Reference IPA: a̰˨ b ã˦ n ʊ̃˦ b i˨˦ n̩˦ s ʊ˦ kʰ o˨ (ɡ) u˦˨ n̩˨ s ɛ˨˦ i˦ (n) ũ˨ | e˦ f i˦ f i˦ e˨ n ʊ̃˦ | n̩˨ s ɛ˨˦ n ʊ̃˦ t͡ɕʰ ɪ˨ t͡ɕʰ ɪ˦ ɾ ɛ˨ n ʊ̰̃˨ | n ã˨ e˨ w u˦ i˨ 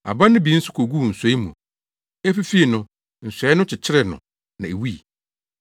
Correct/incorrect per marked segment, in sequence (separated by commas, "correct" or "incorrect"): correct, incorrect